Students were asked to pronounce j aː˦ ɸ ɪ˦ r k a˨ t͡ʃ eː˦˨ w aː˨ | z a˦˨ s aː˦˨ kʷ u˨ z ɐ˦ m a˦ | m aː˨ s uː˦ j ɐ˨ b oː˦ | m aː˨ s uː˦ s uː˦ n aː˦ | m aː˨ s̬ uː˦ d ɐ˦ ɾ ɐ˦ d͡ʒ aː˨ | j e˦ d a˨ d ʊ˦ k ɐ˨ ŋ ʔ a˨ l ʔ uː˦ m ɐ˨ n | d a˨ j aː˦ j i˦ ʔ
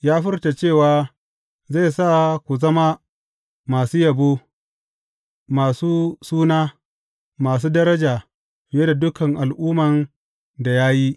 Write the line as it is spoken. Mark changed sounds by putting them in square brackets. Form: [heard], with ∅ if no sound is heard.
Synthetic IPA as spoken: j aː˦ ɸ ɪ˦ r [t] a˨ t͡ʃ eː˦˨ w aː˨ | z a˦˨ s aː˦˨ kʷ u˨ z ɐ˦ m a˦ | m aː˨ s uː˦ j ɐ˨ b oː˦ | m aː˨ s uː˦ s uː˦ n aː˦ | m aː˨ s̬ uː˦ d ɐ˦ ɾ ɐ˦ d͡ʒ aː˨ | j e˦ d a˨ d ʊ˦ k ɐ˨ ŋ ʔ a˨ l ʔ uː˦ m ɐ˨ n | d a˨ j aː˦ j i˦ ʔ